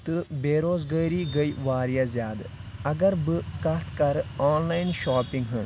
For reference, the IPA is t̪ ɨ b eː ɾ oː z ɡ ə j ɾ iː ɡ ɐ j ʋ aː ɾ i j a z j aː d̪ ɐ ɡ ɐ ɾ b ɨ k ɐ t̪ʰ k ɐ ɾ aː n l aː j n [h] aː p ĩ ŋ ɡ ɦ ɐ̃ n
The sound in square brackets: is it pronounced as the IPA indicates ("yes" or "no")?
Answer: no